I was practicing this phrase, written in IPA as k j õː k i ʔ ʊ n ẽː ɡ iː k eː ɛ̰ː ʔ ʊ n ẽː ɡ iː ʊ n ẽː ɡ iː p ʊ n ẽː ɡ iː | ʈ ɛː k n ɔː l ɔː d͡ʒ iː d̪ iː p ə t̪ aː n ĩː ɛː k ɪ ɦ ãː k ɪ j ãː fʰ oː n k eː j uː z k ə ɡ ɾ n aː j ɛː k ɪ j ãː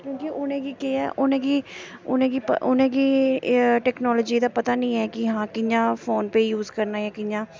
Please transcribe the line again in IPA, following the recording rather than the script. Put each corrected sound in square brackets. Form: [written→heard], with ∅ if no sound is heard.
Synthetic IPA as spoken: k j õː k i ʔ ʊ n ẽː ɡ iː k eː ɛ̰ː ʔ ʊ n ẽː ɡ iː ʊ n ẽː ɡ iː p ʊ n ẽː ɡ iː | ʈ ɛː k n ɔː l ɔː d͡ʒ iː d̪ [iː→aː] p ə t̪ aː n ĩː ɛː k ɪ ɦ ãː k ɪ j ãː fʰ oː n [k→p] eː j uː z k ə [ɡ→∅] ɾ n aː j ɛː k ɪ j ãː